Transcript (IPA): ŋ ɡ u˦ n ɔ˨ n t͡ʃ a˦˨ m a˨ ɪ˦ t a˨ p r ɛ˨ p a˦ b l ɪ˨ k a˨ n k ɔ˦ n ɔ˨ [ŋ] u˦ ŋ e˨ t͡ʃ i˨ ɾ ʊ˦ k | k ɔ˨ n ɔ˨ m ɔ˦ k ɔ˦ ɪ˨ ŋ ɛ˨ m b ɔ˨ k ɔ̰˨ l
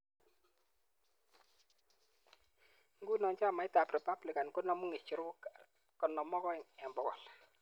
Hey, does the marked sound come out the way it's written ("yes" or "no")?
no